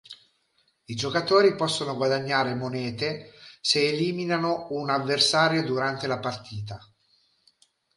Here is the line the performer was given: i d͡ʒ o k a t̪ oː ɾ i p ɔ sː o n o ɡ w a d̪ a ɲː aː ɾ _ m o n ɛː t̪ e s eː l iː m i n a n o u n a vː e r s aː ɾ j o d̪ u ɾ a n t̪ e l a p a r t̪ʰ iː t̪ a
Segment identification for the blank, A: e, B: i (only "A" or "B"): A